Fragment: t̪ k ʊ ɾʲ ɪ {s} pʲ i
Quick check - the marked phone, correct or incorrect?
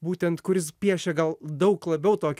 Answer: correct